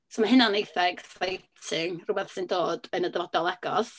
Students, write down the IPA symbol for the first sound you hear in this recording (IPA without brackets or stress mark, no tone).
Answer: s